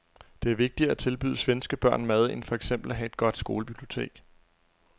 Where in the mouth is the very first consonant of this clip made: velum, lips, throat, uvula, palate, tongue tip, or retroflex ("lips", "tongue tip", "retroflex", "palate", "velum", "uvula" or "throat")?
tongue tip